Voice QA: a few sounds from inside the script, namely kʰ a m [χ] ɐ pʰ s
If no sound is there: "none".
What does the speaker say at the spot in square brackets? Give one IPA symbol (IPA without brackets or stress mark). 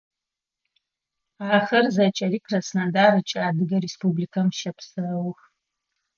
ʃ